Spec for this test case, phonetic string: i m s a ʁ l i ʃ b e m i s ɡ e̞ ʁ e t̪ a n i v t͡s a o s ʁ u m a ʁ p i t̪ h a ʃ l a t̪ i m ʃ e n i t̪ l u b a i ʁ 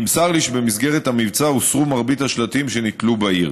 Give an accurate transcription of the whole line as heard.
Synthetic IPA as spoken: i m s a ʁ l i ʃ b e m i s ɡ e̞ ʁ e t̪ a m i v t͡s a u s ʁ u m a ʁ b i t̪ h a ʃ l a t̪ i m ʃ e n i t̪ l u b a i ʁ